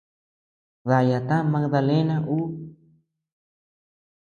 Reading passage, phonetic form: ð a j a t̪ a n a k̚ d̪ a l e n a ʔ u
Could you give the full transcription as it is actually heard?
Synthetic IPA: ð a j a t̪ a m a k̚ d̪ a l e n a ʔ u